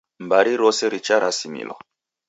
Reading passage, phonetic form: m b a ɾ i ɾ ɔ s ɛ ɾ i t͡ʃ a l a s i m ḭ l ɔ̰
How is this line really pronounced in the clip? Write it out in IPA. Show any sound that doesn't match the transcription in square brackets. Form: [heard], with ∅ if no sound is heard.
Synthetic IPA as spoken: m b a ɾ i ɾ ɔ s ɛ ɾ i t͡ʃ a [ɾ] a s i m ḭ l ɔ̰